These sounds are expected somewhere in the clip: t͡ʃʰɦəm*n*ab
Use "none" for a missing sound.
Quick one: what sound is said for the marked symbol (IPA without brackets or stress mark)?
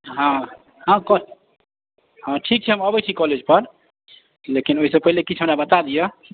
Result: n